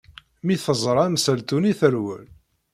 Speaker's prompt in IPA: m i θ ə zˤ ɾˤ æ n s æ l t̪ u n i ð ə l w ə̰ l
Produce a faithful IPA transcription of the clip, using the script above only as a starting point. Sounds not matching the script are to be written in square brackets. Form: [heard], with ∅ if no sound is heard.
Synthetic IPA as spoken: m i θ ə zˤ ɾˤ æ [m] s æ l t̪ u n i [θ] ə [ɾ] w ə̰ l